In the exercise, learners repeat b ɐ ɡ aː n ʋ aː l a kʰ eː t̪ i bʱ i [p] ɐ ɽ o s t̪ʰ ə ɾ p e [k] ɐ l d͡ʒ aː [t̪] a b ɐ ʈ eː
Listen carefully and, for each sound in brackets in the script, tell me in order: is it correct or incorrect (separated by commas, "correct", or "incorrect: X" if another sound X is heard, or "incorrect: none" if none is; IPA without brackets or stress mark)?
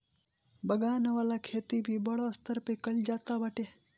incorrect: b, correct, correct